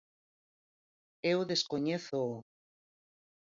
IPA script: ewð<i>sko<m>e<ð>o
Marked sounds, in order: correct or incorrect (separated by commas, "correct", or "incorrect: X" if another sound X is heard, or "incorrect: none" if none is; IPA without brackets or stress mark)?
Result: incorrect: e, incorrect: ɲ, incorrect: θ